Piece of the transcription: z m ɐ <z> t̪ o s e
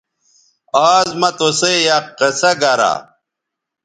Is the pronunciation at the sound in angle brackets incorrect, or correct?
incorrect